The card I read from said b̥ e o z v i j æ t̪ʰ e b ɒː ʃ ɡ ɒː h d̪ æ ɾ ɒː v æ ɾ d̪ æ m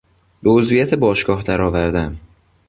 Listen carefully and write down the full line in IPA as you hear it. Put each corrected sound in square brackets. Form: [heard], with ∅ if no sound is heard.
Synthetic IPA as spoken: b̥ e o z v i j æ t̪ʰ e b ɒː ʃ ɡ ɒː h d̪ æ ɾ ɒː v æ ɾ d̪ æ m